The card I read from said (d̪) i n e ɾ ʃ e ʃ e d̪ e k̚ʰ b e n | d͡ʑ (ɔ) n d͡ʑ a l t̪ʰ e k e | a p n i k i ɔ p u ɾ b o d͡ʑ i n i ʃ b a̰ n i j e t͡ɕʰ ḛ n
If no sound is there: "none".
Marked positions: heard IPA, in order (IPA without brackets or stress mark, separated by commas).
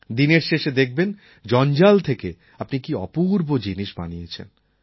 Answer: d̪, ɔ